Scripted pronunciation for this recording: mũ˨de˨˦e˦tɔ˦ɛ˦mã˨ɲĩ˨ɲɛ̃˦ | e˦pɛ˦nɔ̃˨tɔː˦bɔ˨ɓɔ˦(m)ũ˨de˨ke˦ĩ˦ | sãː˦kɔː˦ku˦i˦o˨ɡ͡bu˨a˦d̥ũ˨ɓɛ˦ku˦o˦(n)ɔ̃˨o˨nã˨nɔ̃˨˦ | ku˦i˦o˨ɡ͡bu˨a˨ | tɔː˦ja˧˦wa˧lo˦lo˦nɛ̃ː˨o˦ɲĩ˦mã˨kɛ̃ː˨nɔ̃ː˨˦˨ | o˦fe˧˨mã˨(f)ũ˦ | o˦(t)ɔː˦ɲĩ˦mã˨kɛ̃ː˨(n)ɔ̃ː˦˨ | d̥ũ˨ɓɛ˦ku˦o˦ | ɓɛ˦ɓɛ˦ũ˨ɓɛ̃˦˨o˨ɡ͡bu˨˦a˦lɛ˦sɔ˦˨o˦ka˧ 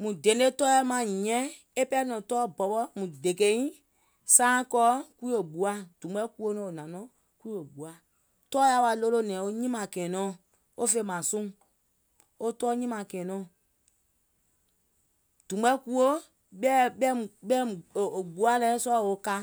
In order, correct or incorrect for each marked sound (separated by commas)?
correct, correct, incorrect, correct, correct